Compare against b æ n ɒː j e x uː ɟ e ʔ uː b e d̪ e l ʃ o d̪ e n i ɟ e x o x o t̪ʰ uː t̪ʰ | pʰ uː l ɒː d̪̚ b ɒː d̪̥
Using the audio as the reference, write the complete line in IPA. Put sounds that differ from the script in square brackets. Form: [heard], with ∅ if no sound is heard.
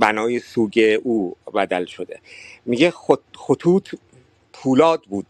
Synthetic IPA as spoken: b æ n ɒː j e [s] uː ɟ e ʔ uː b [æ] d̪ [æ] l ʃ o d̪ e [m] i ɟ e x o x o t̪ʰ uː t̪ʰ | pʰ uː l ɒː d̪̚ b [uː] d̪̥